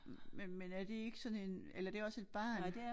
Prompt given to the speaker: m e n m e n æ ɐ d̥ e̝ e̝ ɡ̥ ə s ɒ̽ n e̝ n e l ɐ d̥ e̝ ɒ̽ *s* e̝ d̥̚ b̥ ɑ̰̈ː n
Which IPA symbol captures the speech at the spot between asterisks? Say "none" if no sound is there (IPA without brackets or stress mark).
s